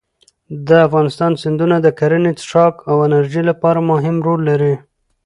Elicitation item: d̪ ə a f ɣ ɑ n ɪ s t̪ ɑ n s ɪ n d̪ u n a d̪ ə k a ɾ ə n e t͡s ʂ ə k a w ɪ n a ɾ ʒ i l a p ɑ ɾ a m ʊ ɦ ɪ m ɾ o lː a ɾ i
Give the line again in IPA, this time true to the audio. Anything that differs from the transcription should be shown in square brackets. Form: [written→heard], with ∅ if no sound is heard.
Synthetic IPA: d̪ ə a f ɣ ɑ n ɪ s t̪ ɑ n s ɪ n d̪ u n a d̪ ə k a ɾ ə n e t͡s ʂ [ə→ɑ] k a w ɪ n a ɾ ʒ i l a p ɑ ɾ a m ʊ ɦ ɪ m ɾ o lː a ɾ i